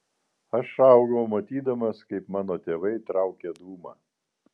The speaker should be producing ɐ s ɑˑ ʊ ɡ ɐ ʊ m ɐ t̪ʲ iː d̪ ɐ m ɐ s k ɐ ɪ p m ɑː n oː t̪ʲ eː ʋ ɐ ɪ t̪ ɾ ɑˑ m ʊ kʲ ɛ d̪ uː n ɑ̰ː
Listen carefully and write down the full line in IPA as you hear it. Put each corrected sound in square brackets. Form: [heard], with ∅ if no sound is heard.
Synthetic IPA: ɐ [ʃ] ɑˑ ʊ ɡ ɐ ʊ m ɐ t̪ʲ iː d̪ ɐ m ɐ s k ɐ ɪ p m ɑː n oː t̪ʲ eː ʋ ɐ ɪ t̪ ɾ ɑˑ [∅] ʊ kʲ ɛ d̪ uː [m] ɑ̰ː

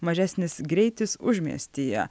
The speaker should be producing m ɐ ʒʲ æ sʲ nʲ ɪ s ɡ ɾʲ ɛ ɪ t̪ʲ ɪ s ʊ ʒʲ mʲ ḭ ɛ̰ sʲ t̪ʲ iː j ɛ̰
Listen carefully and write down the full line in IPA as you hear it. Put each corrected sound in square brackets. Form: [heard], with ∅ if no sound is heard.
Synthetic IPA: m ɐ ʒʲ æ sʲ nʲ ɪ s ɡ ɾʲ ɛ ɪ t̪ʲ ɪ s ʊ ʒʲ mʲ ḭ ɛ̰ sʲ t̪ʲ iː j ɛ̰

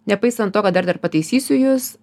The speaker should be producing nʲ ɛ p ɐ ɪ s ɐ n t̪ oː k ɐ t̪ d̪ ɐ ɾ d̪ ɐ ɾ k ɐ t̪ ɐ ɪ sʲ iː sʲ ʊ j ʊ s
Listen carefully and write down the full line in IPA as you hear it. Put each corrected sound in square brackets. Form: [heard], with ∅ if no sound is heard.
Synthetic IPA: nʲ ɛ p ɐ ɪ s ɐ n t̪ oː k ɐ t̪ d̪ ɐ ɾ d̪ ɐ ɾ [p] ɐ t̪ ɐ ɪ sʲ iː sʲ ʊ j ʊ s

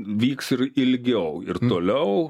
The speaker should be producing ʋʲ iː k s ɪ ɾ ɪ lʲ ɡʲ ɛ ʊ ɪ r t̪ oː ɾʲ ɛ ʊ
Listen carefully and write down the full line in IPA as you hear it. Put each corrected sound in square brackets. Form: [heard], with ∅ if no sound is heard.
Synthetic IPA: ʋʲ iː k s ɪ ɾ ɪ lʲ ɡʲ ɛ ʊ ɪ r t̪ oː [lʲ] ɛ ʊ

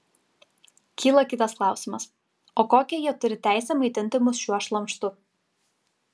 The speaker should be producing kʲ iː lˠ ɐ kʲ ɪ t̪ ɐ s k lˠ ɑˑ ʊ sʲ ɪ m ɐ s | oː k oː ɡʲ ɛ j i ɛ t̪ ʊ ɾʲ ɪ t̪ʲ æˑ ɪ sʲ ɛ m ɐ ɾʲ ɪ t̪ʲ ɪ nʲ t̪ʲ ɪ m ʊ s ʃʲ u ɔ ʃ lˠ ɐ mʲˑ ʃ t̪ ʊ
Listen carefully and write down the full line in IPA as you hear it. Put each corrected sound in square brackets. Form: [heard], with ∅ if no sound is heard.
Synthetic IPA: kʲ iː lˠ ɐ kʲ ɪ t̪ ɐ s k lˠ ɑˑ ʊ sʲ ɪ m ɐ s | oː k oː [kʲ] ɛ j i ɛ t̪ ʊ ɾʲ ɪ t̪ʲ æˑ ɪ sʲ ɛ m ɐ [∅] ɪ t̪ʲ ɪ nʲ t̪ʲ ɪ m ʊ s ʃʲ u ɔ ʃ lˠ ɐ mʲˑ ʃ t̪ ʊ

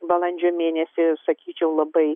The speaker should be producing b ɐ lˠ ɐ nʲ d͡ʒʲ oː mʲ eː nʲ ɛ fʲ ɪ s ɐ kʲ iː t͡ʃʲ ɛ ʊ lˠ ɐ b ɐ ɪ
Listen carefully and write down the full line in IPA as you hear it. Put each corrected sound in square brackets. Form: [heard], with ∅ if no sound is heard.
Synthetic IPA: b ɐ lˠ ɐ nʲ d͡ʒʲ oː mʲ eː nʲ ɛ [sʲ] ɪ s ɐ kʲ iː t͡ʃʲ ɛ ʊ lˠ ɐ b ɐ ɪ

